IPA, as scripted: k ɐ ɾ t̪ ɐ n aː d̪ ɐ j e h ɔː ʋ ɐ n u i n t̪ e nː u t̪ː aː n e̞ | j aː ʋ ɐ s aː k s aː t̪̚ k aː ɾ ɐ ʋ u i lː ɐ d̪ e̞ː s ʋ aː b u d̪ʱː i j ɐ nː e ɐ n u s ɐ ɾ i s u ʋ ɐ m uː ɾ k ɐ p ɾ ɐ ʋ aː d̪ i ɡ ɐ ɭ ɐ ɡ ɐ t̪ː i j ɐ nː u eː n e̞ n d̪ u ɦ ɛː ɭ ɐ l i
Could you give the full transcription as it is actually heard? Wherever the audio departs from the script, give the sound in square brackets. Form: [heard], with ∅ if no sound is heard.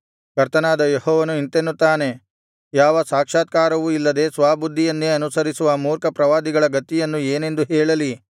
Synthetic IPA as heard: k ɐ ɾ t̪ ɐ n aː d̪ ɐ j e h ɔː ʋ ɐ n u i n t̪ e nː u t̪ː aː n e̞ | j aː ʋ ɐ s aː k [ʂ] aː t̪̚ k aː ɾ ɐ ʋ u i lː ɐ d̪ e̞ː s ʋ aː b u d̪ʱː i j ɐ nː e ɐ n u s ɐ ɾ i s u ʋ ɐ m uː ɾ k ɐ p ɾ ɐ ʋ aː d̪ i ɡ ɐ ɭ ɐ ɡ ɐ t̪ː i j ɐ nː u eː n e̞ n d̪ u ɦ ɛː ɭ ɐ l i